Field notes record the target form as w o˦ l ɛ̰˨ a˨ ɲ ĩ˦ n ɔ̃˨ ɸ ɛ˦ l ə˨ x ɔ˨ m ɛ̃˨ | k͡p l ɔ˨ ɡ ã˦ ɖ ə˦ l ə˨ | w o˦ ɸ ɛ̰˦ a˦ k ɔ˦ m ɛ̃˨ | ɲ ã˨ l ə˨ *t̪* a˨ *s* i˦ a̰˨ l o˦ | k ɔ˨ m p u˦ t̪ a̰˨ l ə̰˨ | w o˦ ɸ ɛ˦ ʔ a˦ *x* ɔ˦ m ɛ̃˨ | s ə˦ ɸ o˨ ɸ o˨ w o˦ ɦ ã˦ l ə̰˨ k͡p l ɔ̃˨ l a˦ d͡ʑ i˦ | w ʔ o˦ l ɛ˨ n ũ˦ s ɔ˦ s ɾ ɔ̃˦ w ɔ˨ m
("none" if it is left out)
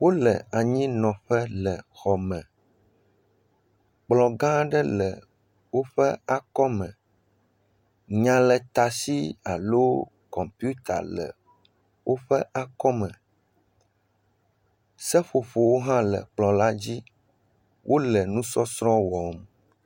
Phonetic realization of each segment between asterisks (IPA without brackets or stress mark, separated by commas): t̪, s, k